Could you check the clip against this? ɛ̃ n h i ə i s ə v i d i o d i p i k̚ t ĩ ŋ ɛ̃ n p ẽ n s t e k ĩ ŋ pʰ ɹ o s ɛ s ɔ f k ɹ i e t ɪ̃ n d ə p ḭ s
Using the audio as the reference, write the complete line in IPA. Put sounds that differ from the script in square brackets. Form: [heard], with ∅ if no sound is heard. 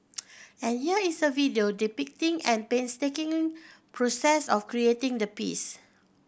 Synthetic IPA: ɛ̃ n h i ə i s ə v i d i o d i p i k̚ t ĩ ŋ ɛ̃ n p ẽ n s t e k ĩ ŋ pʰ ɹ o s ɛ s ɔ f k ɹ i e t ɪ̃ [ŋ] d ə p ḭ s